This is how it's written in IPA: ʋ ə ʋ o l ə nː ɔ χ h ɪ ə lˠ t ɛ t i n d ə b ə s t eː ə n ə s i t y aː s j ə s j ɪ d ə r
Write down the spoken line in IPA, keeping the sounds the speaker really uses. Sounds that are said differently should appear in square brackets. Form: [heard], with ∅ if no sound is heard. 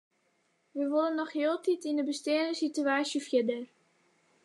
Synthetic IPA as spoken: ʋ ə ʋ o l ə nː ɔ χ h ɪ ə lˠ t [i] t i n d ə b ə s t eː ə n ə s i t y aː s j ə [f] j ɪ d ə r